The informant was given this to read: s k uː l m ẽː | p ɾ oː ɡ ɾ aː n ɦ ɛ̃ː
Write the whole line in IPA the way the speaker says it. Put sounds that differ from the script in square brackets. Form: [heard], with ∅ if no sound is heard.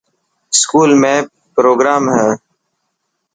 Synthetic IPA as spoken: s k uː l m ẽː | p ɾ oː ɡ ɾ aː [m] ɦ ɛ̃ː